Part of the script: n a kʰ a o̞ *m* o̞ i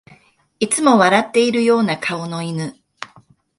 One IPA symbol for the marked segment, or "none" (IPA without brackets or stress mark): n